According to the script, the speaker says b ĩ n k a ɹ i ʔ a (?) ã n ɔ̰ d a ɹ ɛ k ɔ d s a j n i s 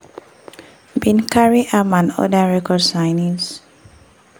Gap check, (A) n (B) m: B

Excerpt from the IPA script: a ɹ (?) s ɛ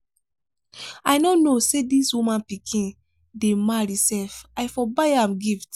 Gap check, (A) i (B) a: A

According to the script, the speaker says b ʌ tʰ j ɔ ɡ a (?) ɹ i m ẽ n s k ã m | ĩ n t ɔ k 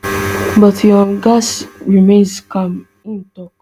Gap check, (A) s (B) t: A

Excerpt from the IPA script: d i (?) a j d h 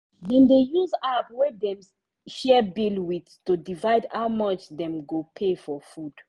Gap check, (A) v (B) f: A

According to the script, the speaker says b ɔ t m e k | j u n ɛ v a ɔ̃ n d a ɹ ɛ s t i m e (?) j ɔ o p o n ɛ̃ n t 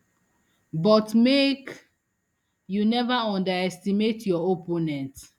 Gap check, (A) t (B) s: A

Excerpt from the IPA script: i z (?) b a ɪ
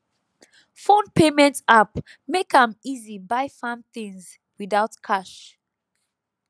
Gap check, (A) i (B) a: A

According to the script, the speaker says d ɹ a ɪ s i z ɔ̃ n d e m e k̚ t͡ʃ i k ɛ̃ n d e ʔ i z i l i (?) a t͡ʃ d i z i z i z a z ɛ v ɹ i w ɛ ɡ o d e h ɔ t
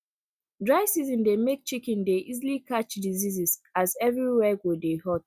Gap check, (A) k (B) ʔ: A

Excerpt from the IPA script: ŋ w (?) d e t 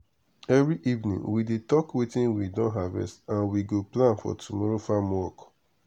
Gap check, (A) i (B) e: A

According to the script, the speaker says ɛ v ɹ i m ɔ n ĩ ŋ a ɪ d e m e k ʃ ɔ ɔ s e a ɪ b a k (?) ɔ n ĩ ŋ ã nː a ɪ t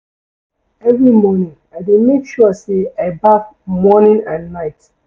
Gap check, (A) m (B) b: A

